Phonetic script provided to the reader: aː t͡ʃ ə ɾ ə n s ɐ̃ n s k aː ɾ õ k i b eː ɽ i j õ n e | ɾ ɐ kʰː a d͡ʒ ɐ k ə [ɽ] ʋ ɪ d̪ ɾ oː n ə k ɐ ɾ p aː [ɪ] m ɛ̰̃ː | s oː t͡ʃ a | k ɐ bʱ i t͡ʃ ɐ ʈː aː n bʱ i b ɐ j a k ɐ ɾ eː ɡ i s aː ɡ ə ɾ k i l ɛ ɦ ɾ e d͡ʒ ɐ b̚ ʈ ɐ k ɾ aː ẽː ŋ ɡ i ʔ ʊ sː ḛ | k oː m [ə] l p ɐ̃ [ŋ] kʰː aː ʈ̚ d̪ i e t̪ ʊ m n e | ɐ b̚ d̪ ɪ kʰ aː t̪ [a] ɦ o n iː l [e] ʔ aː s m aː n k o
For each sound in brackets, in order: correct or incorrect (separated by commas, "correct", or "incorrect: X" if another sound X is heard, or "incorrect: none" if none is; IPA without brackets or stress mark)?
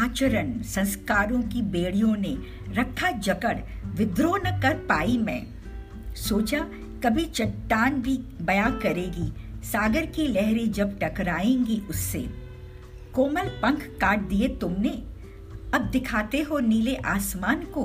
correct, incorrect: i, correct, correct, incorrect: e, correct